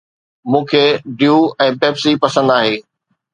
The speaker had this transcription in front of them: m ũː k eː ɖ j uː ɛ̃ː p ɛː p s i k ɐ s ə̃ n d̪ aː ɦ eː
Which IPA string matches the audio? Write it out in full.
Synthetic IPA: m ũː kʰ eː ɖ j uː ɛ̃ː p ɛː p s i p ɐ s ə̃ n d̪ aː ɦ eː